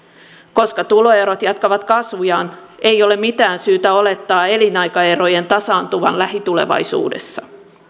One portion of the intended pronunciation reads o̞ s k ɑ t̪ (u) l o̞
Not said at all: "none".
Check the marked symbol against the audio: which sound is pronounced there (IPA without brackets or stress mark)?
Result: u